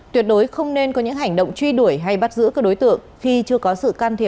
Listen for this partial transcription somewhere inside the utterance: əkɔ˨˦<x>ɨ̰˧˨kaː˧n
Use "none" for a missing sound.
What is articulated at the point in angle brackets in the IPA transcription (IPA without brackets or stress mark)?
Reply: s